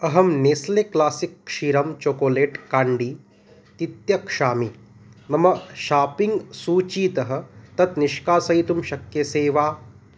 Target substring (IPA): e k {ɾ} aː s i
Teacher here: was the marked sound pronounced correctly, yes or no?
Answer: no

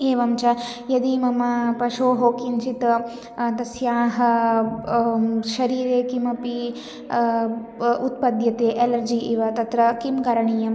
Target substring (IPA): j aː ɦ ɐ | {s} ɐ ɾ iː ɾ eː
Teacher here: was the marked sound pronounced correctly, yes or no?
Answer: no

